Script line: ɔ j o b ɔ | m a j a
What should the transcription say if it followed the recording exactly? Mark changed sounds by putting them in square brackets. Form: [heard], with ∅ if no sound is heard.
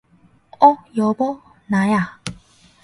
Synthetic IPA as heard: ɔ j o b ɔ | [n] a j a